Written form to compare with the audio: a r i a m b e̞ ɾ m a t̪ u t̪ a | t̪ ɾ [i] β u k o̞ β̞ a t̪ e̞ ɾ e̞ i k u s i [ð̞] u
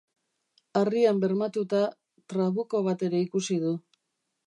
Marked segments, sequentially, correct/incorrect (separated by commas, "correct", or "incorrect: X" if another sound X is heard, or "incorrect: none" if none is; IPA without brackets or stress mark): incorrect: a, correct